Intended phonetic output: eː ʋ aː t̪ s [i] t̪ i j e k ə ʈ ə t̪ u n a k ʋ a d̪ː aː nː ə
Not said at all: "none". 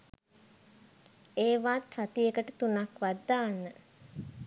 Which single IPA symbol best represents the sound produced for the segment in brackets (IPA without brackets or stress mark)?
a